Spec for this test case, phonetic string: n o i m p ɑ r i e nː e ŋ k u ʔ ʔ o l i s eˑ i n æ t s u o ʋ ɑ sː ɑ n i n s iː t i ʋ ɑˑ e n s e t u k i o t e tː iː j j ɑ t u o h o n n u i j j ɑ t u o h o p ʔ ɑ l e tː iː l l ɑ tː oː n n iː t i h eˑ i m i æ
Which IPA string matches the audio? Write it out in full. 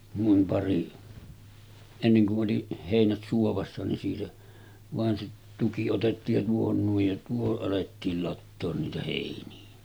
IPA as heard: n u i m p ɑ r i e nː e ŋ k u ʔ ʔ o l i h eˑ i n æ t s u o ʋ ɑ sː ɑ n i n s iː t æ ʋ ɑˑ e n s e t u k i o t e tː iː j j ɑ t u o h o n n u i j j ɑ t u o h o ʔ ʔ ɑ l e tː iː l l ɑ tː oː n n iː t æ h eˑ i n i æ